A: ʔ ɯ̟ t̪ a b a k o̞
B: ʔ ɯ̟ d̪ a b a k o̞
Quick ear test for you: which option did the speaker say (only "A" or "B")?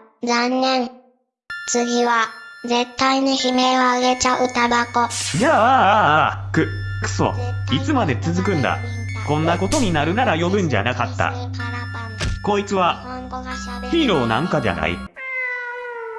A